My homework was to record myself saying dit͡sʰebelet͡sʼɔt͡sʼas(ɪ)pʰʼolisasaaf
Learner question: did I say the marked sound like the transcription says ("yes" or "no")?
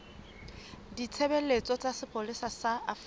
yes